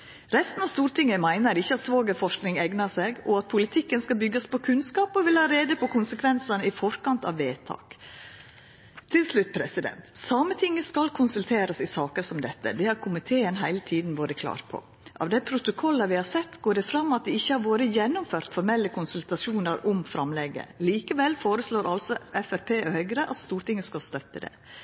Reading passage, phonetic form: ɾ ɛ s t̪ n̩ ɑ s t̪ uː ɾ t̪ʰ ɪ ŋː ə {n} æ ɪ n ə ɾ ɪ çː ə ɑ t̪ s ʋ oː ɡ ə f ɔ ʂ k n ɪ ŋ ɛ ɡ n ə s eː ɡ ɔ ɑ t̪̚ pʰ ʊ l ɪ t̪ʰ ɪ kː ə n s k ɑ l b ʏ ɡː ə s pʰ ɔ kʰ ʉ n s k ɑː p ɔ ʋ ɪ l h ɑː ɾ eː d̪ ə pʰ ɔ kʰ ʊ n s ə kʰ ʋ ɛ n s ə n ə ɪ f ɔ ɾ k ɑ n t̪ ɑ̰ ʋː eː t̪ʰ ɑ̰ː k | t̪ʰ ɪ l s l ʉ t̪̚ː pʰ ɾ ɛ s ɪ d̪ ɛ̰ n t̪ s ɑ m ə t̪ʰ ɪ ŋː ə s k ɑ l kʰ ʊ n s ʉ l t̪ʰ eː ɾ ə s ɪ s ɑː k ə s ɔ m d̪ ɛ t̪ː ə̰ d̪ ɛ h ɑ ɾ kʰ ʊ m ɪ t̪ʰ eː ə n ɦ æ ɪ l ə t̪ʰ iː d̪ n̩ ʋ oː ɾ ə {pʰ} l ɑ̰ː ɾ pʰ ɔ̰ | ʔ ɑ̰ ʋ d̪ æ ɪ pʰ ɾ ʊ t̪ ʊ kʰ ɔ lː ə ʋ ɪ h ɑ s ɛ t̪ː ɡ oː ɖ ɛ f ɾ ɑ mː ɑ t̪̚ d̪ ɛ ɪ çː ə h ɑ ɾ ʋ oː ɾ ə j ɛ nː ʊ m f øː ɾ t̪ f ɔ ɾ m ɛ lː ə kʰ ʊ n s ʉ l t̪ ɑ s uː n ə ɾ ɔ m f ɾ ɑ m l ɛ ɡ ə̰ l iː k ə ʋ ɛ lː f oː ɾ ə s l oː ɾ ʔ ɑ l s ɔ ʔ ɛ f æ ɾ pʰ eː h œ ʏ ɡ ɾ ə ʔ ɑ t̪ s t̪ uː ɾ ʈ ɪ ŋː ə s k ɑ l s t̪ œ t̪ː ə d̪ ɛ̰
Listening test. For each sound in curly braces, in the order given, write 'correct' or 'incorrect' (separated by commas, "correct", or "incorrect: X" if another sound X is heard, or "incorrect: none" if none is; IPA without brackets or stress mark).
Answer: incorrect: m, incorrect: kʰ